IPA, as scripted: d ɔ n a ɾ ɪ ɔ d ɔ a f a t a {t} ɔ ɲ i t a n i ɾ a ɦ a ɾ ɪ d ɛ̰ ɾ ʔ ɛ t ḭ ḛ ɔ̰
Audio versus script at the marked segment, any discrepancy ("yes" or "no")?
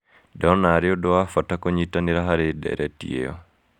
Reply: yes